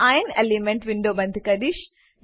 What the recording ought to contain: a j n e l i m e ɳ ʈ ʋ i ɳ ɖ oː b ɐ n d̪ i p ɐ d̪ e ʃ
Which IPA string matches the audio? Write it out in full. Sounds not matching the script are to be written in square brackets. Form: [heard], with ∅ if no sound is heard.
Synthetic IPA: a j n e l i m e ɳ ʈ ʋ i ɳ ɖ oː b ɐ n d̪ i [k] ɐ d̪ [i] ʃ